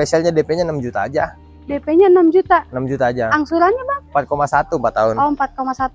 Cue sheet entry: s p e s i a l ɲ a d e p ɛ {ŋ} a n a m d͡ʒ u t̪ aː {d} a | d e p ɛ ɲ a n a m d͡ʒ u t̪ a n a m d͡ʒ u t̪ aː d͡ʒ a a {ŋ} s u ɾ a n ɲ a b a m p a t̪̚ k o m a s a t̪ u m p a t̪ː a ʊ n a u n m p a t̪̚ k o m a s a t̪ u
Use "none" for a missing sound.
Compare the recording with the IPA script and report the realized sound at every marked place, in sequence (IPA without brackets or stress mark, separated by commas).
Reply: ɲ, d͡ʒ, ŋ